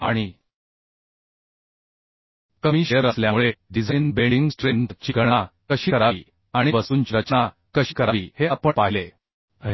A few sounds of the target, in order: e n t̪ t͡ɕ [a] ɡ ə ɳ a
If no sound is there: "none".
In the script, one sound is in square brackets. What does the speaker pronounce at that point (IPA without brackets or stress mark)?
i